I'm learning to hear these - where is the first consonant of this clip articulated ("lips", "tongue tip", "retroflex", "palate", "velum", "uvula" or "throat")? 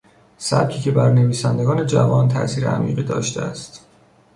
tongue tip